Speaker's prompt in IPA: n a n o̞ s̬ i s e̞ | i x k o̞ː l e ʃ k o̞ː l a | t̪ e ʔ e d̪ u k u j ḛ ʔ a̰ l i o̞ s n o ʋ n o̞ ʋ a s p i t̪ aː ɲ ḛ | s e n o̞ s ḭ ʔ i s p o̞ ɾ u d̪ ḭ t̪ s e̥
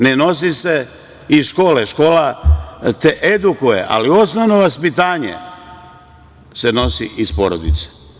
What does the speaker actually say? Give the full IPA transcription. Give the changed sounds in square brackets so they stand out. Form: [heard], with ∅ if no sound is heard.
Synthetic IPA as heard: n [e] n o̞ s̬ i s e̞ | i [ʃ] k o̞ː l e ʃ k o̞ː l a | t̪ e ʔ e d̪ u k u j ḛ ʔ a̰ l i o̞ s n o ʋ n o̞ ʋ a s p i t̪ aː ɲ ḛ | s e n o̞ s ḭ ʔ i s p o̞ ɾ [o] d̪ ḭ t̪ s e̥